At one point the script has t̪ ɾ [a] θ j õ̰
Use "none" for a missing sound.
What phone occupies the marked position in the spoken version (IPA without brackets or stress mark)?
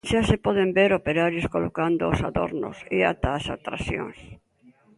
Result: a